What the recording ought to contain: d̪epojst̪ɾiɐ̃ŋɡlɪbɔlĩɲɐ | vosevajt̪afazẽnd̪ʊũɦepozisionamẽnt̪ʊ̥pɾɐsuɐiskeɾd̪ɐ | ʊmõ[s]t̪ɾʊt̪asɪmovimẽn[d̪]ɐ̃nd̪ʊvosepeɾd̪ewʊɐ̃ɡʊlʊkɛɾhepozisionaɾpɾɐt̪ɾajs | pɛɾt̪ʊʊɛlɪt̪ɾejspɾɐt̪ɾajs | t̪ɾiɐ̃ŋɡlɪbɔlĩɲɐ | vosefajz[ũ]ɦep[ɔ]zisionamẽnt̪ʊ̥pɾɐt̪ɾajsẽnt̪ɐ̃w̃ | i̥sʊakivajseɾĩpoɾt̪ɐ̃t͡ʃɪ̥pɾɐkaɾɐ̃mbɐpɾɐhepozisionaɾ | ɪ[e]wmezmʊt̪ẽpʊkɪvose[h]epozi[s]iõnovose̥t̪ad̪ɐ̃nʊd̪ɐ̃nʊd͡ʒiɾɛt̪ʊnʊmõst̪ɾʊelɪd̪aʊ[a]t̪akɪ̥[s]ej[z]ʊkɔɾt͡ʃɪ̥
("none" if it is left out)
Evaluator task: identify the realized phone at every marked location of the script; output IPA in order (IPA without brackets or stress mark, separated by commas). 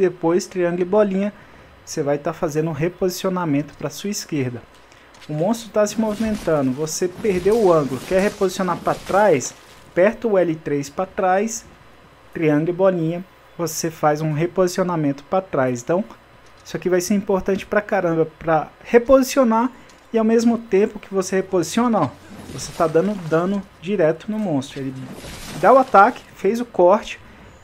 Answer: s, t̪, ũ, o, a, h, s, a, f, z